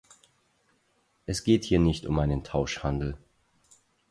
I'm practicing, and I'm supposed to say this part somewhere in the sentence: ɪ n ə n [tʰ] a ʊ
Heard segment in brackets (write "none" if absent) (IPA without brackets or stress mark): tʰ